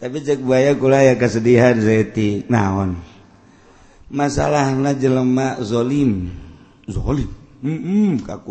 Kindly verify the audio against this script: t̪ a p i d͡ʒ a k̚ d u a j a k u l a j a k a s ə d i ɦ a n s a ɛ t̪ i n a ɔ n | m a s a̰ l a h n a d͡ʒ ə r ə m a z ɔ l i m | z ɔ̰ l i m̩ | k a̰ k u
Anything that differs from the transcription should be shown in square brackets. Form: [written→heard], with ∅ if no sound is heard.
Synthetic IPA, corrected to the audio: t̪ a p i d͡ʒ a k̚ [d→b] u a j a k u l a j a k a s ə d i ɦ a n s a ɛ t̪ i n a ɔ n | m a s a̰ l a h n a d͡ʒ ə [r→l] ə m a z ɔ l i m | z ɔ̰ l i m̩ | k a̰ k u